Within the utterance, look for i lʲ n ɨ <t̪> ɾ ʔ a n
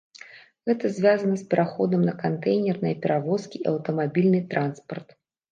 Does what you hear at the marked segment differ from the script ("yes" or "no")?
no